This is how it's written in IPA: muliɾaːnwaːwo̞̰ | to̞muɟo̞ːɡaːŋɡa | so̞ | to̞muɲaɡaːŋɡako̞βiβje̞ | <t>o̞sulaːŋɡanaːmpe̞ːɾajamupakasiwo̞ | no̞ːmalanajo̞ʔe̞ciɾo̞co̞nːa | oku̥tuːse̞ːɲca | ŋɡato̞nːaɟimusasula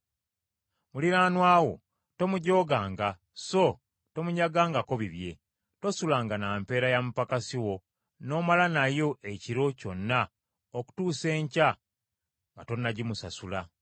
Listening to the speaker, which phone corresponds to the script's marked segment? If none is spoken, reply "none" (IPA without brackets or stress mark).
t